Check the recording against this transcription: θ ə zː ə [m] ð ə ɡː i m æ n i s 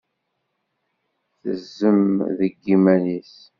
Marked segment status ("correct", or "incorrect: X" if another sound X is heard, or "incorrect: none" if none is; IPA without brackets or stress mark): correct